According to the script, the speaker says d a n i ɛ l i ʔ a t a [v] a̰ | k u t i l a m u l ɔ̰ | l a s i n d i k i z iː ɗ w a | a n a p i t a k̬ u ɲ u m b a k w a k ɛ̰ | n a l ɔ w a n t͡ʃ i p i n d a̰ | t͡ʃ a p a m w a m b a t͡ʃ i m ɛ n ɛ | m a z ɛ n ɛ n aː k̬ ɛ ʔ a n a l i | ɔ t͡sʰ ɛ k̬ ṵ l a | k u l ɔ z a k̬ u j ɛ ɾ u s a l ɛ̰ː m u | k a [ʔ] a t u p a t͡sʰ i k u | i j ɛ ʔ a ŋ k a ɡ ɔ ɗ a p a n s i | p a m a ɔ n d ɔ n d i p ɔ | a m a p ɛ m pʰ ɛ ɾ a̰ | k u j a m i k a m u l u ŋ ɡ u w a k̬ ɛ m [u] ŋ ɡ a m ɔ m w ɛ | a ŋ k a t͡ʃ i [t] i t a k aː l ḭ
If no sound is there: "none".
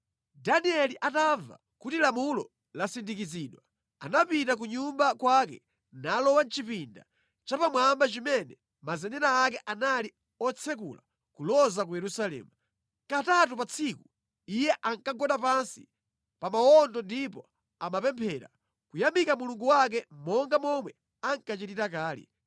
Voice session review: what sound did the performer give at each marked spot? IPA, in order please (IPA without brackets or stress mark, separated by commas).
v, t, ɔ, t